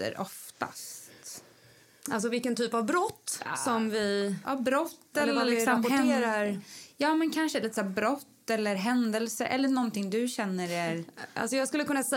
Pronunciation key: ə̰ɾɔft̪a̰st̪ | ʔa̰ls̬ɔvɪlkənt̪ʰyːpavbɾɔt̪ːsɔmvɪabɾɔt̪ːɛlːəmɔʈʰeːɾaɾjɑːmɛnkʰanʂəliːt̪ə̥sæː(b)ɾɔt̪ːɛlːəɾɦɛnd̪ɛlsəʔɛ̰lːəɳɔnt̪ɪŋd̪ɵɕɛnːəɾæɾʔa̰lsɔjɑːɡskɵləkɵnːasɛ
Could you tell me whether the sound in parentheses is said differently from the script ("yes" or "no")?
no